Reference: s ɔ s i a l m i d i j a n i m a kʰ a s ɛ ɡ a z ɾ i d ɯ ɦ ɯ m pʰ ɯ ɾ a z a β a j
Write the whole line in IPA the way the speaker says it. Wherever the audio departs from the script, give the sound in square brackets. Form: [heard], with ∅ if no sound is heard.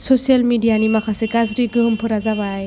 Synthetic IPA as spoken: s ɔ s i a l m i d i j a n i m a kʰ a s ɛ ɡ a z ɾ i [ɡ] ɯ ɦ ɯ m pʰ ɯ ɾ a z a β a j